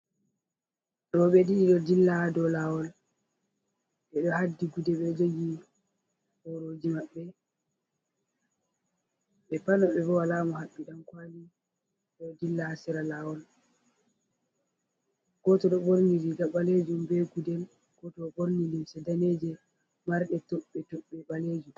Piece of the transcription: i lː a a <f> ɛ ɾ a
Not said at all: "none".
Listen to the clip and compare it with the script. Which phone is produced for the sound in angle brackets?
s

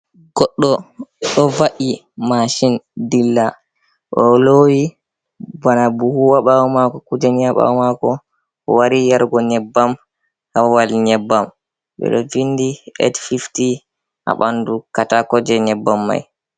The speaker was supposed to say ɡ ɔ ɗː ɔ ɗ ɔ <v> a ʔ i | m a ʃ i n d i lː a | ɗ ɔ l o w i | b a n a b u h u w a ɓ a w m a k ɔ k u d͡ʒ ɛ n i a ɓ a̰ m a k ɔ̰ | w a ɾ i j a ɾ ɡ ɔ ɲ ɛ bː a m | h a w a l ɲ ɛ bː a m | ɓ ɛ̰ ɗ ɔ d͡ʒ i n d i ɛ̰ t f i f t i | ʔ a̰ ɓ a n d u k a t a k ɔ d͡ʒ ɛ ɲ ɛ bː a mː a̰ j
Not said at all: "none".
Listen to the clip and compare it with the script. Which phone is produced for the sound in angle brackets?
v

